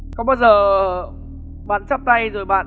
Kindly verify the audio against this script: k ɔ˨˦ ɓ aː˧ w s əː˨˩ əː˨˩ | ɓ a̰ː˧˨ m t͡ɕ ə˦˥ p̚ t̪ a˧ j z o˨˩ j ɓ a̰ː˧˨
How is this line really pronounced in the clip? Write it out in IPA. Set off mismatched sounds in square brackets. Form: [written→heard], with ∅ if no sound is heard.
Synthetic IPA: k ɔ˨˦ ɓ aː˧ w [s→z] əː˨˩ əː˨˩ | ɓ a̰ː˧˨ [m→n] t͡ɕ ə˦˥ p̚ t̪ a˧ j z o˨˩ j ɓ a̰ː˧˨